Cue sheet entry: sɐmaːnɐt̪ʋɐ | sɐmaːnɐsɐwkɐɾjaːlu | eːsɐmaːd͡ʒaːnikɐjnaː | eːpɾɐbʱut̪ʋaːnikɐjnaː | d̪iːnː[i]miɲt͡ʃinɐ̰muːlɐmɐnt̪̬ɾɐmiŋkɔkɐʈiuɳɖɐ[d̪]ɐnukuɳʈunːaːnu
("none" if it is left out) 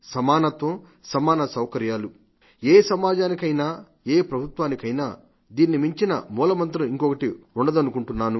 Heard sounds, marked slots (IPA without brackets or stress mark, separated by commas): i, d̪